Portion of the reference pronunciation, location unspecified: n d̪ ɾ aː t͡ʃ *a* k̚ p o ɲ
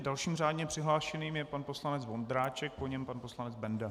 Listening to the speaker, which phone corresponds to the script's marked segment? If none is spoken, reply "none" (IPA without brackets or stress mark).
ɛ